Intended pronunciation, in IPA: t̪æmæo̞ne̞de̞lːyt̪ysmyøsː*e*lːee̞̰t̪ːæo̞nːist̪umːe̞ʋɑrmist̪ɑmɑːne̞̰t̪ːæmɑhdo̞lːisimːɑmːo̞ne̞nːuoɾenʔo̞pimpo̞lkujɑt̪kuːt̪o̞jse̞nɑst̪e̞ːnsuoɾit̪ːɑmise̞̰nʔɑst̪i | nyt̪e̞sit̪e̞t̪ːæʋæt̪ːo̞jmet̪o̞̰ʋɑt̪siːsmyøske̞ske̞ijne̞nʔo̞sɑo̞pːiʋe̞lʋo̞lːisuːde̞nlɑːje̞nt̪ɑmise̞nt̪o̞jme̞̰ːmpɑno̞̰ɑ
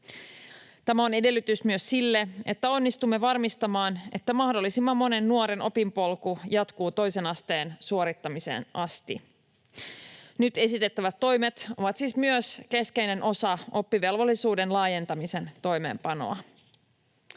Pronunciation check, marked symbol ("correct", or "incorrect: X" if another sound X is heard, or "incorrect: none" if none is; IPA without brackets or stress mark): incorrect: i